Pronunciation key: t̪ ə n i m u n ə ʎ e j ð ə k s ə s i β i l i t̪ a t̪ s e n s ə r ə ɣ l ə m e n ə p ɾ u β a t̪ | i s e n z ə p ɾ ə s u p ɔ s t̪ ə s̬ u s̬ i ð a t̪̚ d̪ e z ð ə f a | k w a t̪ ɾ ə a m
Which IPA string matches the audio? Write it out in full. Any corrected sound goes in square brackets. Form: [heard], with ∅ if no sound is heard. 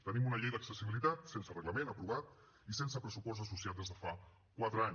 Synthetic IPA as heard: t̪ ə n i m u n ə ʎ e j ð ə k s ə s i β i l i t̪ a t̪ s e n s ə r ə ɣ l ə m e n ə p ɾ u β a t̪ | i s e n [s] ə p ɾ ə s u p ɔ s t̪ ə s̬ u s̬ i [∅] a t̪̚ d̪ e z ð ə f a | k w a t̪ ɾ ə a [ɲ]